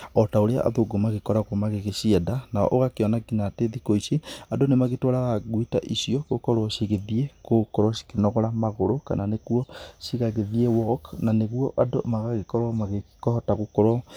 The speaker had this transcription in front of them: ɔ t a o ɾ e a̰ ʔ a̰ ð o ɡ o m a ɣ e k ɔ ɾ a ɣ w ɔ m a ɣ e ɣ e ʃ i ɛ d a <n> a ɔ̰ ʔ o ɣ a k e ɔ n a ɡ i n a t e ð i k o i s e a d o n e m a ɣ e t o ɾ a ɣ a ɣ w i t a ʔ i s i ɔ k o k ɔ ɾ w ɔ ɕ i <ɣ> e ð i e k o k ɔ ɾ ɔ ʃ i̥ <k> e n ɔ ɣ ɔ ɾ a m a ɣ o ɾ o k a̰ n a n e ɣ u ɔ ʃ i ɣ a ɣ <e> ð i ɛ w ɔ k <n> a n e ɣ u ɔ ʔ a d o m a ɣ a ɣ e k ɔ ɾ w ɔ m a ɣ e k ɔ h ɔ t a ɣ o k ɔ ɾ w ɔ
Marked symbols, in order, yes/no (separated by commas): yes, yes, yes, yes, yes